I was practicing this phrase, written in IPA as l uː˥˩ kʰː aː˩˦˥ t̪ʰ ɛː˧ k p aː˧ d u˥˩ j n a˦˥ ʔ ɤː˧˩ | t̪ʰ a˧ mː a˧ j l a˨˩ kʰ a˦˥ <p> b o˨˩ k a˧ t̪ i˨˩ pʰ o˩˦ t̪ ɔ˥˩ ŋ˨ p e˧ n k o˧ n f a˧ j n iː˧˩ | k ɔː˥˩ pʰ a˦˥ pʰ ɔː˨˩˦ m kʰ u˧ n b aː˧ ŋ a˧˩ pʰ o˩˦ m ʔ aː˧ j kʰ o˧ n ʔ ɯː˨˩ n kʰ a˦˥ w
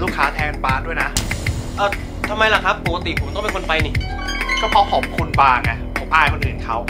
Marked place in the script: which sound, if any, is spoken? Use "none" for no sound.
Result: p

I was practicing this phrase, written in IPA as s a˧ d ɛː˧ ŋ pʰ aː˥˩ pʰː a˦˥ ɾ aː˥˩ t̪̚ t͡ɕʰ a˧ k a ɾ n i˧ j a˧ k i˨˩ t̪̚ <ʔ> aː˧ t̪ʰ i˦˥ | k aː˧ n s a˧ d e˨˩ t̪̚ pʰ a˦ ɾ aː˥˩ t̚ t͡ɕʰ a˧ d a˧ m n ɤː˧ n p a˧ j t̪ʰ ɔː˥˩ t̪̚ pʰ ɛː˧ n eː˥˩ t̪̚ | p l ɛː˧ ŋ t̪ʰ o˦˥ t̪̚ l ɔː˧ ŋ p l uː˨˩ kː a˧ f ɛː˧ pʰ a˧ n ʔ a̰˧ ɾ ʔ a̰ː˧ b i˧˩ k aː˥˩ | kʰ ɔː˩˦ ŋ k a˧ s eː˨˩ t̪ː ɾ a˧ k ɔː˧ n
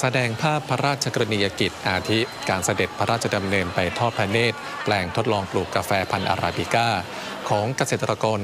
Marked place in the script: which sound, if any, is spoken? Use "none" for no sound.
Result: ʔ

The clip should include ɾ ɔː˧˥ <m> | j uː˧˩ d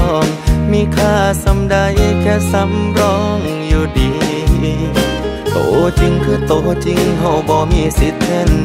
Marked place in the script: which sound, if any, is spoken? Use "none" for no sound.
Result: ŋ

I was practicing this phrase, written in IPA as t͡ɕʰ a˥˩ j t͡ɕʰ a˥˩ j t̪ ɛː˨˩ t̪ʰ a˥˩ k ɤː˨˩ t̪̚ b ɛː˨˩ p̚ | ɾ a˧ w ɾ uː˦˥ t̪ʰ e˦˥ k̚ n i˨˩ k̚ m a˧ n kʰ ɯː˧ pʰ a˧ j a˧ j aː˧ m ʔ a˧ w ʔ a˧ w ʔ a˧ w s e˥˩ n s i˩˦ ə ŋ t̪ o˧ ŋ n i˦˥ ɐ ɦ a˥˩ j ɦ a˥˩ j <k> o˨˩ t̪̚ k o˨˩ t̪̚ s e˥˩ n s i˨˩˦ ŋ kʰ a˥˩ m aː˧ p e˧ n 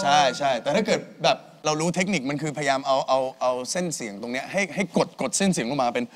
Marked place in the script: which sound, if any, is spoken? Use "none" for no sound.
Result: k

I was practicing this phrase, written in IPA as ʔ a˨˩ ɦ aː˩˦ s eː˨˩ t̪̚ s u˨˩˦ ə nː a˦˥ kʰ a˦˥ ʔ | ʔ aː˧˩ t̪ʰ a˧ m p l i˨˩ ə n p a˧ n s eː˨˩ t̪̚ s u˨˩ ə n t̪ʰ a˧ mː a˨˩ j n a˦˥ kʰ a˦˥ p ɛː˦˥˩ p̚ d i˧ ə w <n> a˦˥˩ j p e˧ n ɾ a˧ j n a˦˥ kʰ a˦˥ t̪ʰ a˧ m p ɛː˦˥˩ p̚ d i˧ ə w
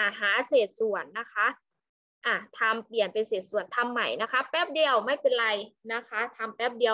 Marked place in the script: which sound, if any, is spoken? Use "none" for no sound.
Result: m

